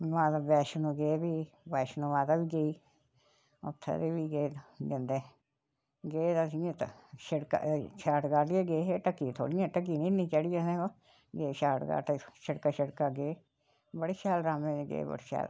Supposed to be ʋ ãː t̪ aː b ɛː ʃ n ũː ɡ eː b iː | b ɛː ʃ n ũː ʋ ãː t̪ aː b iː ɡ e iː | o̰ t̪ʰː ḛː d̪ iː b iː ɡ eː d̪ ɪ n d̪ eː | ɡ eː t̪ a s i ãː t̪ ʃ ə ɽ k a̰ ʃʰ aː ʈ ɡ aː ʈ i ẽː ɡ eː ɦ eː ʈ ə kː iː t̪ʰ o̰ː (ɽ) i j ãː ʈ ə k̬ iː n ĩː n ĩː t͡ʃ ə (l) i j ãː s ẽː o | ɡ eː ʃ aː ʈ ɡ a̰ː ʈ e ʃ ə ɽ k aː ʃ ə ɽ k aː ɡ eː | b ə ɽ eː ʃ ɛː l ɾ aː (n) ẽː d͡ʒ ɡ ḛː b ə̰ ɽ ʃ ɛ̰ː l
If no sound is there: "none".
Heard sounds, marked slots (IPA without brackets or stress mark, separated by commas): ɽ, ɽ, m